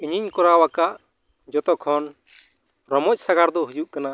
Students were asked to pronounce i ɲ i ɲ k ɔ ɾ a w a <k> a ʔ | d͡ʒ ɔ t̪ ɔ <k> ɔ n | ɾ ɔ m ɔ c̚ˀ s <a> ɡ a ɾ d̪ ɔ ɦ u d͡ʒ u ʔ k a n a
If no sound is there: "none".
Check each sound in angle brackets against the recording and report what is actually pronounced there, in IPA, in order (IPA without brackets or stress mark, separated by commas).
k, kʰ, a